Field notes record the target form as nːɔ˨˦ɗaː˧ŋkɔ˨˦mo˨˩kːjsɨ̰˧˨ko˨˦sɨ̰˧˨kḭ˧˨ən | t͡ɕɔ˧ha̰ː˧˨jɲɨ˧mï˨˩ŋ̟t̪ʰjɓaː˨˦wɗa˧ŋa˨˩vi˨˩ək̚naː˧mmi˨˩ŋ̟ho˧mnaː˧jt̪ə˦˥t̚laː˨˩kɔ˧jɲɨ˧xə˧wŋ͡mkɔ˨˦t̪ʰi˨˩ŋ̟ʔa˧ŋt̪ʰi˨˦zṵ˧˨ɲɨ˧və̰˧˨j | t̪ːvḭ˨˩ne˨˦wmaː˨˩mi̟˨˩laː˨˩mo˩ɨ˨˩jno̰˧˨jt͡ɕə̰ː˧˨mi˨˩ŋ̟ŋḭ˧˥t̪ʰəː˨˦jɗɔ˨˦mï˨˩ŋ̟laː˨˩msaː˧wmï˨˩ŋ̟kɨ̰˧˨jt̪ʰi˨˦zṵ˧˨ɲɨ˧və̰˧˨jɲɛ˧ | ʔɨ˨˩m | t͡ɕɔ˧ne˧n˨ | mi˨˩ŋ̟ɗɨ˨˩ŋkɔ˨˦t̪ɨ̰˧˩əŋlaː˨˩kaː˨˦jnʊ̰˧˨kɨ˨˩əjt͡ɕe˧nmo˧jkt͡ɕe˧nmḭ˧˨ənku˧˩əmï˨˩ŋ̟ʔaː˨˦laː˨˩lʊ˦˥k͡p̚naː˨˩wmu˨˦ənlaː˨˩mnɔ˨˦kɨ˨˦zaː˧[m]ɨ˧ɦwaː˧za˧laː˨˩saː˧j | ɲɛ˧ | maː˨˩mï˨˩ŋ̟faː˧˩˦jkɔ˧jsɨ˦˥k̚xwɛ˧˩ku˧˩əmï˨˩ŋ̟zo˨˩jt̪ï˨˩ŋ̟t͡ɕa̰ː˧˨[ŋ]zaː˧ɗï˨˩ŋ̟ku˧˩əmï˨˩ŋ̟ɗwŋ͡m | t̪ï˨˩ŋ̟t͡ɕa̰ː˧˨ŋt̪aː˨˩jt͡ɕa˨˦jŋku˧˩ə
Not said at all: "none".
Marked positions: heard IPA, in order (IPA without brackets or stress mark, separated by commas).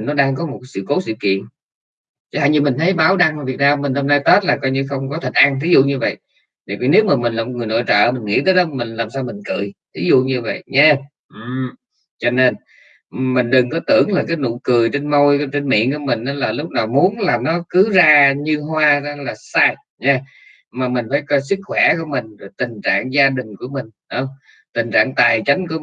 ɲ, ŋ